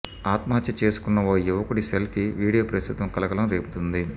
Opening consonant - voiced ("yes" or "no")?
no